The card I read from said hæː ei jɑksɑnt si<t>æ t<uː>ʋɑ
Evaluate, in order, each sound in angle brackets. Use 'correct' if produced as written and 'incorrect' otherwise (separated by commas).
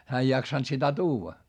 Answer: correct, correct